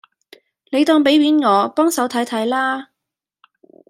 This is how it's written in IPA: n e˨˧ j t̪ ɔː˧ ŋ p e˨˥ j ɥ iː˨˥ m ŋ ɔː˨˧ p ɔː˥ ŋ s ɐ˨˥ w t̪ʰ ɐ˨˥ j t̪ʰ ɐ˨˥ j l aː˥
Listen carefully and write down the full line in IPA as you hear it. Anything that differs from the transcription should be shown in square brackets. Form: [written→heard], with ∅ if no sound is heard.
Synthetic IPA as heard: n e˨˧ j t̪ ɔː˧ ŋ p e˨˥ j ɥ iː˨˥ [m→n] ŋ ɔː˨˧ p ɔː˥ ŋ s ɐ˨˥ w t̪ʰ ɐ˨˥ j t̪ʰ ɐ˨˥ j l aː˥